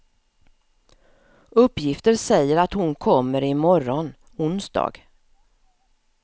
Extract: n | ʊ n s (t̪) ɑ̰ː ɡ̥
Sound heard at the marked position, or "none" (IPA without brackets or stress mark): d̪